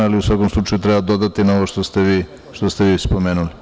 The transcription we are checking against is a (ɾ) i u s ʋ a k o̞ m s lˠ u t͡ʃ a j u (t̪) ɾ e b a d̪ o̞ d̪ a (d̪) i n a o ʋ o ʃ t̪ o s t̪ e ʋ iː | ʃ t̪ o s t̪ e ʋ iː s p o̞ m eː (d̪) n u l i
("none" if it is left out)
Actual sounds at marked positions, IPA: l, t̪, t̪, none

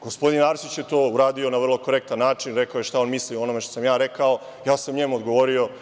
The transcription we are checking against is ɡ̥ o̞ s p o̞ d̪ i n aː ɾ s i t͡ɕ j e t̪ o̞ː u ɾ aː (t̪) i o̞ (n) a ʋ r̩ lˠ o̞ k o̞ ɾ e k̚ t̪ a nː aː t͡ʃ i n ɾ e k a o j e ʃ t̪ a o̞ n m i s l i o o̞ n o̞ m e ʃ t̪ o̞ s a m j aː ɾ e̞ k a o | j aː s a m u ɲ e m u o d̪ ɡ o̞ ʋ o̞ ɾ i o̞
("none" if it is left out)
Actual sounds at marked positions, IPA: d̪, n

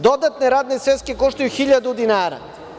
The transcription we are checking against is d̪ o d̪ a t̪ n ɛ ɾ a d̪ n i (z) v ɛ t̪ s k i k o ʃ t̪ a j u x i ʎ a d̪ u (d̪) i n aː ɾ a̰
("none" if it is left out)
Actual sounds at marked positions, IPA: s, d̪

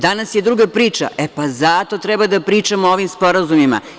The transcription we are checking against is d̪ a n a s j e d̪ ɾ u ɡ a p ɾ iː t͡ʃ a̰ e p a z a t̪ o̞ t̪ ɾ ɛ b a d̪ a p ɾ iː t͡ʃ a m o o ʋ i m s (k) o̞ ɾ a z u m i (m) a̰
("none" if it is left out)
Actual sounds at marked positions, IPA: p, m

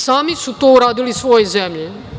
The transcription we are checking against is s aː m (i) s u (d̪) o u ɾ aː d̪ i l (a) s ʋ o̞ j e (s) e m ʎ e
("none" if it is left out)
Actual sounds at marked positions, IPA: i, t̪, i, z

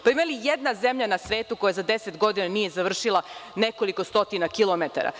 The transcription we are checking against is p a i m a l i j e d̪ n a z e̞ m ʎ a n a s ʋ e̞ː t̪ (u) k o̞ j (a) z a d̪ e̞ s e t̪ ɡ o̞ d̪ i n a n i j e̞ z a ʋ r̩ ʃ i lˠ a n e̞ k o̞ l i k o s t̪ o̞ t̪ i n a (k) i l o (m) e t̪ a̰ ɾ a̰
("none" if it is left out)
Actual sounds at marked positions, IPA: u, a, k, m

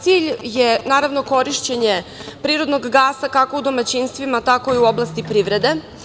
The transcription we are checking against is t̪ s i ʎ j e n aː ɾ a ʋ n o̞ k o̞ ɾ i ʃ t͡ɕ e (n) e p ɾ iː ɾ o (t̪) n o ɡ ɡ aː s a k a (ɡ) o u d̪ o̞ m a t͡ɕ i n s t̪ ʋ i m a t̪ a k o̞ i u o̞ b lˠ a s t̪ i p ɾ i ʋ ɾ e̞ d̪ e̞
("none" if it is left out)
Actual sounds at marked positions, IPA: ɲ, d̪, k

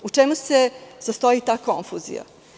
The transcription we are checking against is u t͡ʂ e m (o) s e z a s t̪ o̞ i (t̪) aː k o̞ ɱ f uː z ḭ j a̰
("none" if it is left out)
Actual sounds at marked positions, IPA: u, t̪

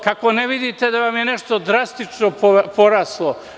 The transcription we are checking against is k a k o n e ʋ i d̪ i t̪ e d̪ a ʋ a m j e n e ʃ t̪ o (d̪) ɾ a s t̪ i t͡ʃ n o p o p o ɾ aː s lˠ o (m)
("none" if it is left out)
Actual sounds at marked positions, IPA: d̪, none

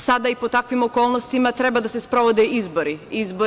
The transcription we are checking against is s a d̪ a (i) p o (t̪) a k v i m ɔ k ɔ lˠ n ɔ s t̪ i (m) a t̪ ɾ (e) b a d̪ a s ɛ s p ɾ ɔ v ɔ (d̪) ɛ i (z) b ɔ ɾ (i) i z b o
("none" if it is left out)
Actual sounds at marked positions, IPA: i, t̪, m, ɛ, d̪, z, i

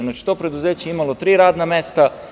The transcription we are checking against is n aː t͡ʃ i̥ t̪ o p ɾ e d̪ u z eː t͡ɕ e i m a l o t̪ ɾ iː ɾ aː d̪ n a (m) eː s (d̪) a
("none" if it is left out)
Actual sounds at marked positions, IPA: m, t̪

